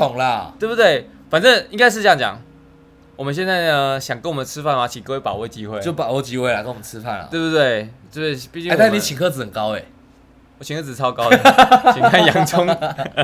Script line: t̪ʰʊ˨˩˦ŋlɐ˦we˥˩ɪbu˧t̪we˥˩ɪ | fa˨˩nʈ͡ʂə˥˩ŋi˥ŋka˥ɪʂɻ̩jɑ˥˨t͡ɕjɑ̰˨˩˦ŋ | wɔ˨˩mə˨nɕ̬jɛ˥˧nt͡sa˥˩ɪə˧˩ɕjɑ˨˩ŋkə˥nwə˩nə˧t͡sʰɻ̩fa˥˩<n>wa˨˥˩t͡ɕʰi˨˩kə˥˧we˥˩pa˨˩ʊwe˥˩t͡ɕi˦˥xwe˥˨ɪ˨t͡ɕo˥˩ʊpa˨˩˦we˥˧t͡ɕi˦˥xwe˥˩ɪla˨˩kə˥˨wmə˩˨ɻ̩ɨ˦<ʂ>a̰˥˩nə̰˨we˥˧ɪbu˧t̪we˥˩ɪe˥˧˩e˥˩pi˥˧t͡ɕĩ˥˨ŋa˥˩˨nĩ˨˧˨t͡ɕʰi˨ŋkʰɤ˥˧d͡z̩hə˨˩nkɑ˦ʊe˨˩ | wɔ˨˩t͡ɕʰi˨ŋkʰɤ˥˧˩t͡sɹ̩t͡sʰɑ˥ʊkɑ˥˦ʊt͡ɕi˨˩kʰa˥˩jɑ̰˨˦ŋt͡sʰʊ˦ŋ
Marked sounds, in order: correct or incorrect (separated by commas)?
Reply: correct, incorrect